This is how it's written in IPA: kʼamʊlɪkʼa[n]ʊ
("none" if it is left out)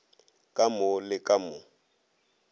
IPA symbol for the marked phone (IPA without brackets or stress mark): m